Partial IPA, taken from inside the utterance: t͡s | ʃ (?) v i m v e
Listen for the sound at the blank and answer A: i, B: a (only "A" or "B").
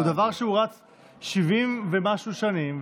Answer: A